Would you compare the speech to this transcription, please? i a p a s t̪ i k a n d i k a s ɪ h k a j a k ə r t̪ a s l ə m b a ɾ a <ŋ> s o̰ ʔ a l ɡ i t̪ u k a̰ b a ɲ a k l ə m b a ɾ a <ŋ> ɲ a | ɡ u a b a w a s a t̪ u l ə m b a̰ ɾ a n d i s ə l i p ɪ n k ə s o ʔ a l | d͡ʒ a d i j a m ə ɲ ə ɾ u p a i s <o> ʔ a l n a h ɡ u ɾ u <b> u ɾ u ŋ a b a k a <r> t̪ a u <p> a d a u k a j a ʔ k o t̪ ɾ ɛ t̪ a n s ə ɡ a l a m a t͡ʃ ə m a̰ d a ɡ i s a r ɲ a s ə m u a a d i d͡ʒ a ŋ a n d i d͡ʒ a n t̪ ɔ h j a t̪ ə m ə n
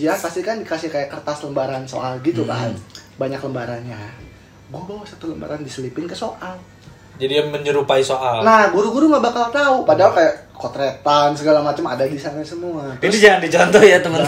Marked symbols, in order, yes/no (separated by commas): no, no, yes, no, no, yes